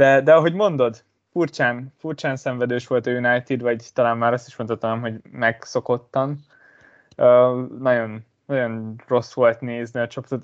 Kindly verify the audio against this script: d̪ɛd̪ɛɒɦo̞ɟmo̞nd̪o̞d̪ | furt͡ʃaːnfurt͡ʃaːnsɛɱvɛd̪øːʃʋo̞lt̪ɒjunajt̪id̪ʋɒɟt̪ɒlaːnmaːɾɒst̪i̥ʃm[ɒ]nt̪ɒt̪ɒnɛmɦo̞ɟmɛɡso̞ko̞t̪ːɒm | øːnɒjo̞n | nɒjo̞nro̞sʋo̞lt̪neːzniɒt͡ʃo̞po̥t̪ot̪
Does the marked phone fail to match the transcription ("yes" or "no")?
yes